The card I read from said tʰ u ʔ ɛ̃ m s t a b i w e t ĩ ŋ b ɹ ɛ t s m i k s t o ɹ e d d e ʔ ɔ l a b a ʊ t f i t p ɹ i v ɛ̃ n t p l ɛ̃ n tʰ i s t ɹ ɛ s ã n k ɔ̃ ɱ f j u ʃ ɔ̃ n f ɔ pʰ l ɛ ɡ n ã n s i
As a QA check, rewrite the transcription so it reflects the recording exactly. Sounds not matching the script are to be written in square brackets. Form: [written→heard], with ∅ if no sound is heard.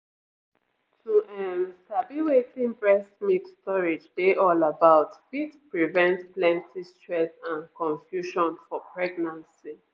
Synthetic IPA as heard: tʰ u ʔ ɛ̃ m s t a b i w e t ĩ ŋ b ɹ ɛ [t→∅] s m i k s t [o→ɔ] ɹ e [d→d͡ʒ] d e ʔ ɔ l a b a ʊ t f i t p ɹ i v ɛ̃ n t p l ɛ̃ n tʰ i s t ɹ ɛ s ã n k ɔ̃ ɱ f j u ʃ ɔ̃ n f ɔ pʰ [l→ɹ] ɛ ɡ n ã n s i